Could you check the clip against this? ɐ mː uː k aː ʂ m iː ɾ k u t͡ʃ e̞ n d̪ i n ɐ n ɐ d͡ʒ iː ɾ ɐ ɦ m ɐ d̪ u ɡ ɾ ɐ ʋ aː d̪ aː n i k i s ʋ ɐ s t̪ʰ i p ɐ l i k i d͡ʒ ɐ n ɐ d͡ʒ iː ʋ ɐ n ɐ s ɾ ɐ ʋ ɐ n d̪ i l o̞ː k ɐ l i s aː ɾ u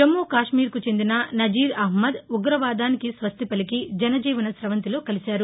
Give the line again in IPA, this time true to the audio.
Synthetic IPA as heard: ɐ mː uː k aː ʂ m iː ɾ k u t͡ʃ e̞ n d̪ i n ɐ n ɐ d͡ʒ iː ɾ ɐ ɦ m ɐ d̪ u ɡ ɾ ɐ ʋ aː d̪ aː n i k i s ʋ ɐ s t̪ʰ i p ɐ l i k i d͡ʒ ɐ n ɐ d͡ʒ iː ʋ ɐ n ɐ s ɾ ɐ ʋ ɐ n t̪ i l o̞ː k ɐ l i s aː ɾ u